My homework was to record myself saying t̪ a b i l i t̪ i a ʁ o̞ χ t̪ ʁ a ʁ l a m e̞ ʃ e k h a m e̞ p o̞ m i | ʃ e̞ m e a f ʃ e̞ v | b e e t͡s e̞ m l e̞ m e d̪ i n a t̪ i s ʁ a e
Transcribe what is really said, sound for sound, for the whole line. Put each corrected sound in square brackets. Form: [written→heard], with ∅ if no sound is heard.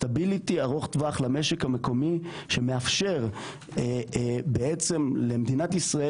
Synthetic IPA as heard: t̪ a b i l i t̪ i a ʁ o̞ χ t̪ [ʁ→v] a [ʁ→χ] l a m e̞ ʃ e k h a m e̞ [p→k] o̞ m i | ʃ e̞ m e a f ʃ e̞ [v→ʁ] | b e e t͡s e̞ m l e̞ m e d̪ i n a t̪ i s ʁ a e